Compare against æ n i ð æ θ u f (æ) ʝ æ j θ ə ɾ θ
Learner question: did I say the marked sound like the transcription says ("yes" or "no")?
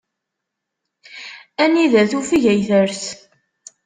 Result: no